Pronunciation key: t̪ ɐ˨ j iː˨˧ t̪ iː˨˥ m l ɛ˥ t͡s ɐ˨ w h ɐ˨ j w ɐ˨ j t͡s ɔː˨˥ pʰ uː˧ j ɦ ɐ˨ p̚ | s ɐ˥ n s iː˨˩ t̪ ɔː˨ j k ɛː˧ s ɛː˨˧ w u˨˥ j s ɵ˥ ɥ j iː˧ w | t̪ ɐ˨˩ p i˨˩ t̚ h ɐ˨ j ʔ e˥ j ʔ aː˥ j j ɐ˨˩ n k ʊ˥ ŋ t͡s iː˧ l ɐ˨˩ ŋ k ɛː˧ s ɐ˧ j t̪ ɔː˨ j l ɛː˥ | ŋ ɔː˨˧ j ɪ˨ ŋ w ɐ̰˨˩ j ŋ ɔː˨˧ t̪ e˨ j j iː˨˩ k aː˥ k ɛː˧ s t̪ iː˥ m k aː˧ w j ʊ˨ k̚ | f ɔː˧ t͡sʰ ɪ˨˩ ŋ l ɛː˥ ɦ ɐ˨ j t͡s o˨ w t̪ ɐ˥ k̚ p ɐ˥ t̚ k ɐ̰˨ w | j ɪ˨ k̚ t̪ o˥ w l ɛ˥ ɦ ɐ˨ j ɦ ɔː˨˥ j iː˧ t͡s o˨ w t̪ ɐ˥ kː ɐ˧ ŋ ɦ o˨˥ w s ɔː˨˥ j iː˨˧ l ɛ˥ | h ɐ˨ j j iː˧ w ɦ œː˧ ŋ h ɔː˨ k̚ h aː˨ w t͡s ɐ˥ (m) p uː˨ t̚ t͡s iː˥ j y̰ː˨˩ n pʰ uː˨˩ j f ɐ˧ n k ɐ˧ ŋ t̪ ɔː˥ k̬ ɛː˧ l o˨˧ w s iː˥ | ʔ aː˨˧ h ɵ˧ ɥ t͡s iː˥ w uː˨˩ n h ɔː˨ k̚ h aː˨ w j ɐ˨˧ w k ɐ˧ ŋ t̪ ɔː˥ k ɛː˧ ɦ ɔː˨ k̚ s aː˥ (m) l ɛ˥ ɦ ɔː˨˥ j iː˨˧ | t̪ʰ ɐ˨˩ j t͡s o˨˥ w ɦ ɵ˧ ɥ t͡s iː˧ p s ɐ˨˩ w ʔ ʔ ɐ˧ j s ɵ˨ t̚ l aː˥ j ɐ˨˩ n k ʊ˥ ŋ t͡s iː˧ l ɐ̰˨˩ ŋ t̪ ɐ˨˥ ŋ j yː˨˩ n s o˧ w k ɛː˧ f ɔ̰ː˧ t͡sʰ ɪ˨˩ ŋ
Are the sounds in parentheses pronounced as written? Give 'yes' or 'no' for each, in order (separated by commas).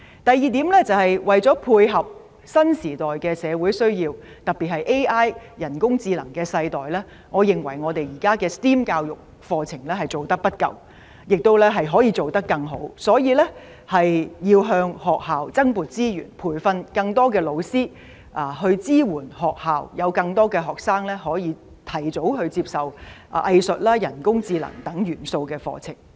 no, no